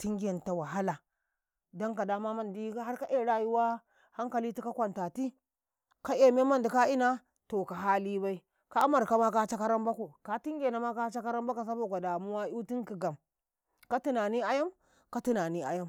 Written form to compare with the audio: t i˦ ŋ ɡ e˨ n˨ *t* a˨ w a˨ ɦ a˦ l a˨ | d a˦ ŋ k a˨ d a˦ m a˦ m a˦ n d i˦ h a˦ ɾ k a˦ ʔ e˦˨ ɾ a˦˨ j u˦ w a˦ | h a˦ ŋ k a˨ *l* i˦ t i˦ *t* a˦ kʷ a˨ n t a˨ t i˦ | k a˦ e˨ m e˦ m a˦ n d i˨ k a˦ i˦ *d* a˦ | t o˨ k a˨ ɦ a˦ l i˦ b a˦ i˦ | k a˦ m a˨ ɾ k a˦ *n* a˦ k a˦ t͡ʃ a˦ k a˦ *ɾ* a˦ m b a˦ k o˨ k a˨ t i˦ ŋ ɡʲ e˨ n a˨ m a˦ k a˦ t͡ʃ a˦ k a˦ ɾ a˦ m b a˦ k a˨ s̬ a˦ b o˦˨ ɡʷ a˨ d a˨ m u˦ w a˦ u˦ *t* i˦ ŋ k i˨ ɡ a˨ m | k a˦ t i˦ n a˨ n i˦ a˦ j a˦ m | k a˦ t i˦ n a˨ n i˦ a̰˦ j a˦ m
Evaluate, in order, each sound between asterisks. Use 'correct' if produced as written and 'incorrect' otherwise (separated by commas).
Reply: correct, correct, incorrect, incorrect, incorrect, correct, correct